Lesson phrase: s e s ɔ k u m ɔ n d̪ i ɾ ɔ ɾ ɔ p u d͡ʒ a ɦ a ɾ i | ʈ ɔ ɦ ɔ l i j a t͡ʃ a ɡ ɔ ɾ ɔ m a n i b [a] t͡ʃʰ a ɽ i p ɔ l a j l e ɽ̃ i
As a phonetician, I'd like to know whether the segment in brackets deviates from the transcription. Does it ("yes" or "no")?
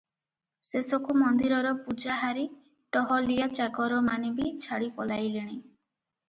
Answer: yes